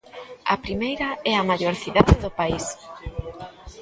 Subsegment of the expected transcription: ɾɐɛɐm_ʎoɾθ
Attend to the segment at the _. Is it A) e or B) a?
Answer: B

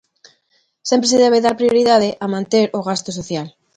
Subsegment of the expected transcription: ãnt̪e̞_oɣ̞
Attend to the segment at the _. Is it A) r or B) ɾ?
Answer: B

